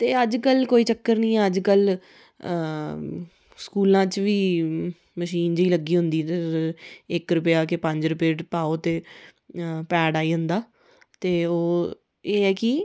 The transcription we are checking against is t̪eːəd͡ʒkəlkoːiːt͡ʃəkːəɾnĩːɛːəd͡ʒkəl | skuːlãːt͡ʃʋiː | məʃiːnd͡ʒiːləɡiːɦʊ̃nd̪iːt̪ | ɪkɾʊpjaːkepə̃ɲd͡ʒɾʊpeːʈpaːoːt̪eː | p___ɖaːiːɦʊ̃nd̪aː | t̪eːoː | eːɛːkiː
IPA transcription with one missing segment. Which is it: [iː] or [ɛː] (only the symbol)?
ɛː